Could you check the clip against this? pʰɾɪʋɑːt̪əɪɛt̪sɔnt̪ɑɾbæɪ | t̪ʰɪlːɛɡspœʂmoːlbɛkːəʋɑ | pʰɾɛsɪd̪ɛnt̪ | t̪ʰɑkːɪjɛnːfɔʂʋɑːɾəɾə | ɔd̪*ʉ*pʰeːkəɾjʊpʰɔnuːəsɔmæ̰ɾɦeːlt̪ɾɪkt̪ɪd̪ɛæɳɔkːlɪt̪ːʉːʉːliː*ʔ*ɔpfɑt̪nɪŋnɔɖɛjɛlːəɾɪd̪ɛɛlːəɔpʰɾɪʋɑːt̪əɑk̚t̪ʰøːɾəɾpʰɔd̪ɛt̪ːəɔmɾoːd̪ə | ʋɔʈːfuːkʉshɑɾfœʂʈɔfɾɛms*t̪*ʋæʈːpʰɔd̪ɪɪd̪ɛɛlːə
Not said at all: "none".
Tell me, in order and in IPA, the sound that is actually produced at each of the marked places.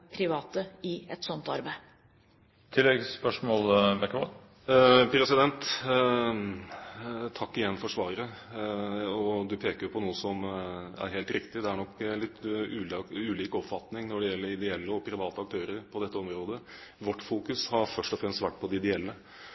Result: ʉ, k, t̪

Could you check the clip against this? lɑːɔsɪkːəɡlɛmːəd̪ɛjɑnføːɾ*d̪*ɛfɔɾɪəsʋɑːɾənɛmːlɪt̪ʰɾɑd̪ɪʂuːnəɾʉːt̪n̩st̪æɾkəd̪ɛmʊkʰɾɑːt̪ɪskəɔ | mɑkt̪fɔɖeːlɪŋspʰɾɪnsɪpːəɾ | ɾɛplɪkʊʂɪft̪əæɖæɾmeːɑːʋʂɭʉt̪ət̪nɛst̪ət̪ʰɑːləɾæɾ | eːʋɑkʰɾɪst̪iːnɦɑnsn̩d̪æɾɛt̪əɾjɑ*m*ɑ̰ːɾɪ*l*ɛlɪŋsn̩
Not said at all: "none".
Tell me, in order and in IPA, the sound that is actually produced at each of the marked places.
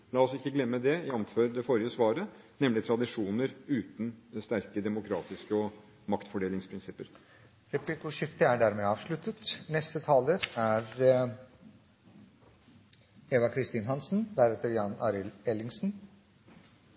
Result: d̪, n, l

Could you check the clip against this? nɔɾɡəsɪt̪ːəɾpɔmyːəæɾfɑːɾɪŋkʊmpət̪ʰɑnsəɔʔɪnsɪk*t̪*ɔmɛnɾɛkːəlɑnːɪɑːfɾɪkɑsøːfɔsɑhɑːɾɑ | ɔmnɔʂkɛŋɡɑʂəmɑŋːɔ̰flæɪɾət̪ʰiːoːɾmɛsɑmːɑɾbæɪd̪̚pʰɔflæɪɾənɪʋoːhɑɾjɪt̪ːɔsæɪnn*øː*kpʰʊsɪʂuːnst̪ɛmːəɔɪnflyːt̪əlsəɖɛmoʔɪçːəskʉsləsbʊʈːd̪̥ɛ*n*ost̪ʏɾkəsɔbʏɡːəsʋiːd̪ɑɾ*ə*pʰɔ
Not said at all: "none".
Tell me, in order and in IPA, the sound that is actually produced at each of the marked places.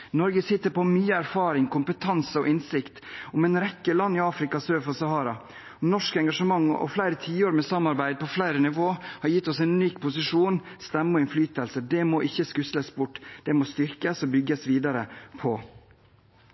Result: t̪, yː, m, ə

